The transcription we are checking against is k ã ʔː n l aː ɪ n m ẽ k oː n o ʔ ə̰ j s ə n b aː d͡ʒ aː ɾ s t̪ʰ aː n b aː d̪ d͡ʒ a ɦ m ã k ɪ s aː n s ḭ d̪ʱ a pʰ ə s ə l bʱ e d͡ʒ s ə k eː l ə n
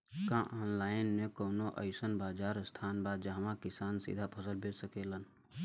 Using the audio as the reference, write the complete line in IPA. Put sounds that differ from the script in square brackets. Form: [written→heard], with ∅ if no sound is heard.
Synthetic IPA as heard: k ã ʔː n l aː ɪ n m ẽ k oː n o ʔ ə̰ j s ə n b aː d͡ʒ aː ɾ s t̪ʰ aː n b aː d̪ d͡ʒ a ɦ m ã k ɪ s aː n s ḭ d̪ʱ a pʰ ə s ə l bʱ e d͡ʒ s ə k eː l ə n